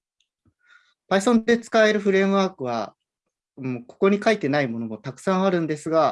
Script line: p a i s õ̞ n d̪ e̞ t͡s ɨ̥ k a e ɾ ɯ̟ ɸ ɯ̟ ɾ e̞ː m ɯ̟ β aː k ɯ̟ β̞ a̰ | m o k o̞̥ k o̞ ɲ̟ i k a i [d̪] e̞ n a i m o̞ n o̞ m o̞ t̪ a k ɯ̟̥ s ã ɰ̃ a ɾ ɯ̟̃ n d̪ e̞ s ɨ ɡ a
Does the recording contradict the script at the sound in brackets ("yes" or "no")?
yes